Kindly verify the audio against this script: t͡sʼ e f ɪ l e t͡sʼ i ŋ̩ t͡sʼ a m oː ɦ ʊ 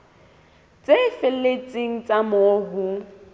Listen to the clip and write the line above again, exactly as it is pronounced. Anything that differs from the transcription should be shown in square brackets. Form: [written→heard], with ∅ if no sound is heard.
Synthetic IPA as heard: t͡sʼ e f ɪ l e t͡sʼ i ŋ̩ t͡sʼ a m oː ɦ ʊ